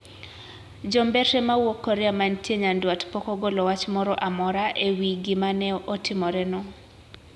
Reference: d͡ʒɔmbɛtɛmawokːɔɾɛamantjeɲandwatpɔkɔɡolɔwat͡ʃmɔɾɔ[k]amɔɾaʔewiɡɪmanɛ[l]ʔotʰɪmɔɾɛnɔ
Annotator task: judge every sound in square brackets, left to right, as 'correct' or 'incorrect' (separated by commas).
incorrect, incorrect